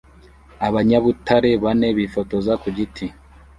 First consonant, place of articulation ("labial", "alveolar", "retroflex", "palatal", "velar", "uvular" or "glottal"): labial